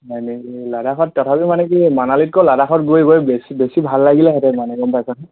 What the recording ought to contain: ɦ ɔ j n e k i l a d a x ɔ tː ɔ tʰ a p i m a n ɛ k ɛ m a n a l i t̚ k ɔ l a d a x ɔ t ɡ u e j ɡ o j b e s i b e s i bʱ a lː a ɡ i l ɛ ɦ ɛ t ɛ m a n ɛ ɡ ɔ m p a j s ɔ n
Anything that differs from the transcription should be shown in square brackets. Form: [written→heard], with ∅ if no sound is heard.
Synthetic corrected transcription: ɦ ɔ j n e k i l a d a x ɔ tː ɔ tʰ a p i m a n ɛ k [ɛ→i] m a n a l i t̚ k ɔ l a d a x ɔ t ɡ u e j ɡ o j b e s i b e s i bʱ a lː a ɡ i l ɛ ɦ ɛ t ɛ m a n ɛ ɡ ɔ m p a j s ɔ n